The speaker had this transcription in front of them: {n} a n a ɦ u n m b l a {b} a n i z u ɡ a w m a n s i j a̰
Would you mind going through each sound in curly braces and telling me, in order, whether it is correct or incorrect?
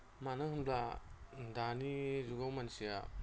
incorrect: m, incorrect: d

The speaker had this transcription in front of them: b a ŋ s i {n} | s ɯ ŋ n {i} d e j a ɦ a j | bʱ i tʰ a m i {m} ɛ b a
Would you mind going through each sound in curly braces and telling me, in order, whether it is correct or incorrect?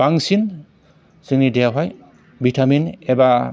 correct, correct, incorrect: n

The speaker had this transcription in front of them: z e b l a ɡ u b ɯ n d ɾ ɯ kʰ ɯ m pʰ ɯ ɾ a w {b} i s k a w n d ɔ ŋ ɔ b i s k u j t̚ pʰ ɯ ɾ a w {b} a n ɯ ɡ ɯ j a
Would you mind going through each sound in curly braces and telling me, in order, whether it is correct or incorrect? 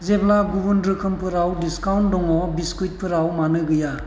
incorrect: d, incorrect: m

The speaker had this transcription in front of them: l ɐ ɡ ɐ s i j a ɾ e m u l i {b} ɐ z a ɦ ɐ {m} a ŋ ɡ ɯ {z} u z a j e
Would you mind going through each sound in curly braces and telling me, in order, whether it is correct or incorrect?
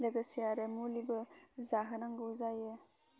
correct, incorrect: n, incorrect: none

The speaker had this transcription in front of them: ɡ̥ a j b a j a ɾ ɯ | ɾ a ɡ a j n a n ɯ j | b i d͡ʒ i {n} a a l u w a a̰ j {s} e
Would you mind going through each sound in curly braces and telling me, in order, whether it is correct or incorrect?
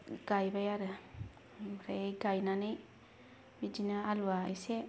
correct, correct

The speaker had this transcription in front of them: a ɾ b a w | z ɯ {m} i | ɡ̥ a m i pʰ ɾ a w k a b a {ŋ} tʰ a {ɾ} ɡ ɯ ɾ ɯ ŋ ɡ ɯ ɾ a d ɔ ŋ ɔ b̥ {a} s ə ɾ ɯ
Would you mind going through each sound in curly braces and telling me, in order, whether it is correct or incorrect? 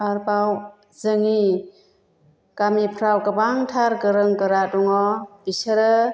incorrect: ŋ, correct, correct, incorrect: i

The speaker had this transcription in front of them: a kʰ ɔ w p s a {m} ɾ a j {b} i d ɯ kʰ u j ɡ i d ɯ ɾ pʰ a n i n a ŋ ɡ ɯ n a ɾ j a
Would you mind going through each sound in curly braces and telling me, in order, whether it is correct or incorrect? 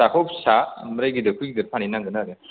correct, incorrect: ɡ

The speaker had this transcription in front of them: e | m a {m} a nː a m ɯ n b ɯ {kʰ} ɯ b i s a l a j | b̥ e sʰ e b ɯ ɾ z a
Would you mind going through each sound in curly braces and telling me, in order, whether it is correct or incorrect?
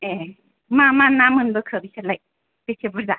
correct, correct

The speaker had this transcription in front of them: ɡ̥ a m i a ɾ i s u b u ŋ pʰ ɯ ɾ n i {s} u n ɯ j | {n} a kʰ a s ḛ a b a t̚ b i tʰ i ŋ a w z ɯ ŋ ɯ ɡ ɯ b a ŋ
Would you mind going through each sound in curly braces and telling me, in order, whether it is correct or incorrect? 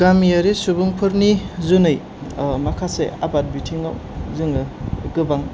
incorrect: z, incorrect: m

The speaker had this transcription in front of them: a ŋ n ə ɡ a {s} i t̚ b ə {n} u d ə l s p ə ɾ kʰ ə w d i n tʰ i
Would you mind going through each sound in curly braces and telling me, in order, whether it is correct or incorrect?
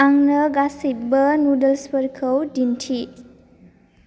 correct, correct

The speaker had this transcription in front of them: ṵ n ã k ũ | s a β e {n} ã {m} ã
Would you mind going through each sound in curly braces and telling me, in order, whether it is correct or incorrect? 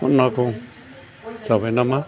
correct, correct

